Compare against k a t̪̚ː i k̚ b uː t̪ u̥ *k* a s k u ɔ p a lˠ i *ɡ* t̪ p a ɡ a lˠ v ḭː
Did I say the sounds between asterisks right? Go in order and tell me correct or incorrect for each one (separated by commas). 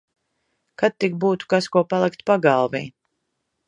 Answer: correct, incorrect